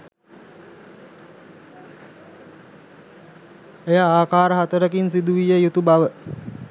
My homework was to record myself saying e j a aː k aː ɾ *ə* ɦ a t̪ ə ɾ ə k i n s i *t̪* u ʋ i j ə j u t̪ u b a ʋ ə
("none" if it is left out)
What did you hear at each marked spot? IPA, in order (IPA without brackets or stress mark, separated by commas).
ə, d̪